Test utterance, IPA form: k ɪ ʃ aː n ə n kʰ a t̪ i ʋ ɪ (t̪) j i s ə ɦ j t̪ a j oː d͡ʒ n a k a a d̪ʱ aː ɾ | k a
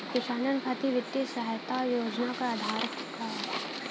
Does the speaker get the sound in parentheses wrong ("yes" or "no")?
no